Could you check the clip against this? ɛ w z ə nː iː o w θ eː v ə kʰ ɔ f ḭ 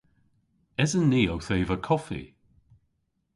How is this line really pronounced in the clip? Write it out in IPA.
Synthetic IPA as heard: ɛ z ə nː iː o w θ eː v ə kʰ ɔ f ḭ